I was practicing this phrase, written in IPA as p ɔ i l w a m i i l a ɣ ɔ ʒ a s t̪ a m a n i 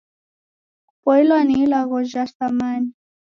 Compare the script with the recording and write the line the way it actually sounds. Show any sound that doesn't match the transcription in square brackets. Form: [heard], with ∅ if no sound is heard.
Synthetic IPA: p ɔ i l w a [n] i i l a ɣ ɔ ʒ a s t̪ a m a n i